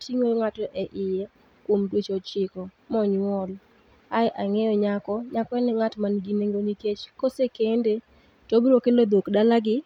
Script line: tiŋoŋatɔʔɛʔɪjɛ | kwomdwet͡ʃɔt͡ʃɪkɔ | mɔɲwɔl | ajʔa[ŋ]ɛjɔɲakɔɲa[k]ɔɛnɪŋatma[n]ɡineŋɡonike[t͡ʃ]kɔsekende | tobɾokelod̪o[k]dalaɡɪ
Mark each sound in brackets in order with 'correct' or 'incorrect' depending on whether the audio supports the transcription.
correct, correct, correct, correct, correct

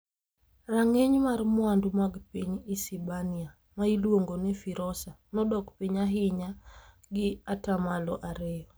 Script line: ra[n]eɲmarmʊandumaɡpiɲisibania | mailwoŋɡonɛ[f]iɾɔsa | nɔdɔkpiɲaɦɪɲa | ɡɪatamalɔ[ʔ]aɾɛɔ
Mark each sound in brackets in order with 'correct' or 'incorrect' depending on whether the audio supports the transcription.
incorrect: ŋ, correct, correct

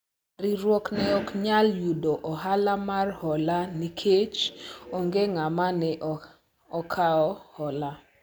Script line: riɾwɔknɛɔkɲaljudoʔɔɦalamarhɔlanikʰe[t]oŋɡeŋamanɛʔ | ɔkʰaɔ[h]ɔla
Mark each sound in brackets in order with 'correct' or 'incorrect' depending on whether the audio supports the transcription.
incorrect: t͡ʃ, correct

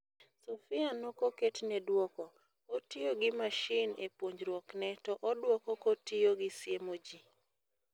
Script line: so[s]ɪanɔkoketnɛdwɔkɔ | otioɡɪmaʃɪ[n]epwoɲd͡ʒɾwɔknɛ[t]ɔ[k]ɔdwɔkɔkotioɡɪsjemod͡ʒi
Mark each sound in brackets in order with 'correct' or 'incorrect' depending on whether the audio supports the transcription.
incorrect: f, correct, correct, incorrect: ʔ

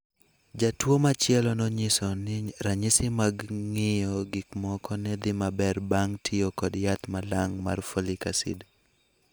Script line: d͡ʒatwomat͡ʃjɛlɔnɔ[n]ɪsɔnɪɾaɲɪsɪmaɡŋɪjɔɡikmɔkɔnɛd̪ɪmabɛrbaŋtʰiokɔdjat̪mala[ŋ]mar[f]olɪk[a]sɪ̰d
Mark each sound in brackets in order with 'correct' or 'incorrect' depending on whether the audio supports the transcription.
incorrect: ɲ, correct, correct, correct

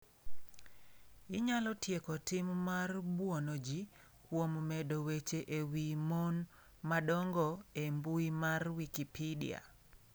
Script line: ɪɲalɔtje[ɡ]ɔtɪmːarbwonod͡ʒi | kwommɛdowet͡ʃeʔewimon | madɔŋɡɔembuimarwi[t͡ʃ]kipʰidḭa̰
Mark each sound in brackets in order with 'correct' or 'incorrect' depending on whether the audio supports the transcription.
incorrect: k, incorrect: none

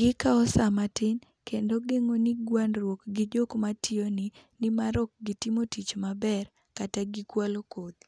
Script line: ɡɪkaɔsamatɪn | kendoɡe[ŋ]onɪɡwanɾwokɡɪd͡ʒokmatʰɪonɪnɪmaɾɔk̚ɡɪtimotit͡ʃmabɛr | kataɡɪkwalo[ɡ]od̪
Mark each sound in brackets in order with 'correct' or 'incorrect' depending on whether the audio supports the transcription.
correct, incorrect: k

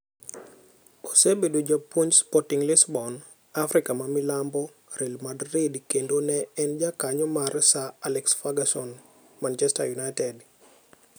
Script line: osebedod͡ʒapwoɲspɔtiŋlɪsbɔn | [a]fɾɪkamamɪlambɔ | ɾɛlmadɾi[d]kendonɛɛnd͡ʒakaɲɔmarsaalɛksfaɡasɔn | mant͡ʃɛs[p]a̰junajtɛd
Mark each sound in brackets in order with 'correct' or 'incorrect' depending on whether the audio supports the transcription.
correct, correct, incorrect: t

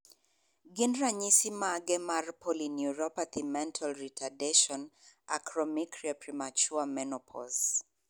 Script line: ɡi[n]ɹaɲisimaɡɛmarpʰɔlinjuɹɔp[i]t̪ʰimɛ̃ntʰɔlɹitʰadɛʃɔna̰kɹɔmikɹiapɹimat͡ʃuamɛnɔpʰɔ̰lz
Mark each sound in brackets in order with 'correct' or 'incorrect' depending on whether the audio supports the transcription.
correct, incorrect: a

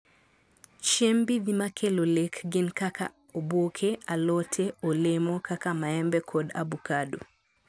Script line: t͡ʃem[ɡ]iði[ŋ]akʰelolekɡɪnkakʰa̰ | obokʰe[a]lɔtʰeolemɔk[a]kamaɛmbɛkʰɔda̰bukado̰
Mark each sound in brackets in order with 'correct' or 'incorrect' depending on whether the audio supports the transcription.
incorrect: b, incorrect: m, correct, correct

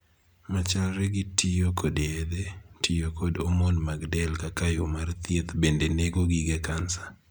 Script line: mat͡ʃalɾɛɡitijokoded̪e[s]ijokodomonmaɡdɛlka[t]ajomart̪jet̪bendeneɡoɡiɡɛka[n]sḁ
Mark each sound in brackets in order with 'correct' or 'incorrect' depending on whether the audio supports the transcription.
incorrect: t, incorrect: k, correct

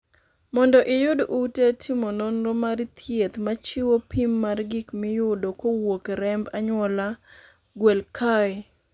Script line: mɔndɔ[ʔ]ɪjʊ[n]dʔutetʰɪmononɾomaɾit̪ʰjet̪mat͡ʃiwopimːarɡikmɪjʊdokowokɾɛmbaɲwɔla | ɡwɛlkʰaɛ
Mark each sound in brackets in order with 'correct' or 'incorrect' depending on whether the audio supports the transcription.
correct, incorrect: none

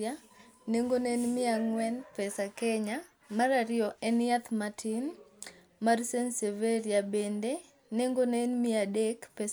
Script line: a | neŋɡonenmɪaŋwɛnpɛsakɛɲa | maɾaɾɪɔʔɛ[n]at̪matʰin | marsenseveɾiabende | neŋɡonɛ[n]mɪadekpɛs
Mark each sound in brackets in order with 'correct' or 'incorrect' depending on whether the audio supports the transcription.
correct, correct

